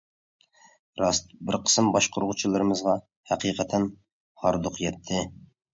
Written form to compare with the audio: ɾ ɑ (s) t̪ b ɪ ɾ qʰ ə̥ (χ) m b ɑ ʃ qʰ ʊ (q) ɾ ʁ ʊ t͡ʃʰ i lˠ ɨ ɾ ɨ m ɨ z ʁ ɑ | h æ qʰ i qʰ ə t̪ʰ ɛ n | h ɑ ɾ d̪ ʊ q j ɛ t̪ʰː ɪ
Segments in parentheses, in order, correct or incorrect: correct, incorrect: s, incorrect: none

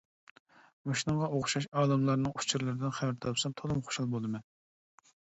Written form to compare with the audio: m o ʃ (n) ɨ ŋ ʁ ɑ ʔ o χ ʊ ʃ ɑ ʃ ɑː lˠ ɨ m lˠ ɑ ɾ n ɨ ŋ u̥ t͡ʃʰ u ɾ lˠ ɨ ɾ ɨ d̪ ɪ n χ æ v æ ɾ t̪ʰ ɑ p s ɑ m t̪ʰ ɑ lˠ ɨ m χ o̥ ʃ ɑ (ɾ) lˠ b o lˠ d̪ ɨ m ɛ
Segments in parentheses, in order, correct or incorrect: correct, incorrect: none

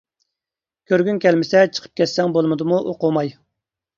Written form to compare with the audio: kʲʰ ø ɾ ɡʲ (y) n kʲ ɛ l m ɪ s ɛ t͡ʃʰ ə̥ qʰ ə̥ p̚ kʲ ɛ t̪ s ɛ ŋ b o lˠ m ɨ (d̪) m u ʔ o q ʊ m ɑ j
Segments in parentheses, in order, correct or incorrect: correct, correct

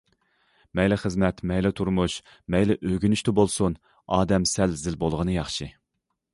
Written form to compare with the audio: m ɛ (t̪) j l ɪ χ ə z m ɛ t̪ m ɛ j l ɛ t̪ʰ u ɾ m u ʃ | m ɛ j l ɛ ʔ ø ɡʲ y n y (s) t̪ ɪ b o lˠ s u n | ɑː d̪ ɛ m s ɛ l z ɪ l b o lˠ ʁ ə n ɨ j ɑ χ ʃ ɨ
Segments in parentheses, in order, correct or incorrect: incorrect: none, incorrect: ʃ

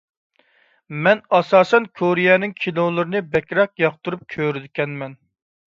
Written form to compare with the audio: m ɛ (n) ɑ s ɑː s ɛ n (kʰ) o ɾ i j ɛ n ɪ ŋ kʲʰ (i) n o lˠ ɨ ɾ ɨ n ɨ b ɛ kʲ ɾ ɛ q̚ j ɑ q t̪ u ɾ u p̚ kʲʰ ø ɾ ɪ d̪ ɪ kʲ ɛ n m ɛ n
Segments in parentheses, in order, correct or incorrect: correct, correct, correct

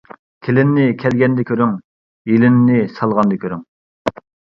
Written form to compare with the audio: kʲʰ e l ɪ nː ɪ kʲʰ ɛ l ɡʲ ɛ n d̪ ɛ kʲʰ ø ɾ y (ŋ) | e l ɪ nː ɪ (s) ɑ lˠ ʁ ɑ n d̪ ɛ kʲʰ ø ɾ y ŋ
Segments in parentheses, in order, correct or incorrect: correct, correct

